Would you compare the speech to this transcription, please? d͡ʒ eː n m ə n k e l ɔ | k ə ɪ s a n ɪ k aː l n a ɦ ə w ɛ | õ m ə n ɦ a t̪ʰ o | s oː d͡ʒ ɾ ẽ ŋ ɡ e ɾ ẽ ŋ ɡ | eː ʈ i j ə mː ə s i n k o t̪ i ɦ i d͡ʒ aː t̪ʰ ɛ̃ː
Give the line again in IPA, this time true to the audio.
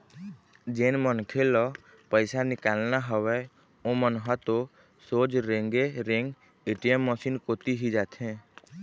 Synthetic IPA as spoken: d͡ʒ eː n m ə n kʰ e l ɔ | p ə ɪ s a n ɪ k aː l n a ɦ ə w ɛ | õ m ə n ɦ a t̪ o | s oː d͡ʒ ɾ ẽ ŋ ɡ e ɾ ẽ ŋ ɡ | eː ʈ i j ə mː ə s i n k o t̪ i ɦ i d͡ʒ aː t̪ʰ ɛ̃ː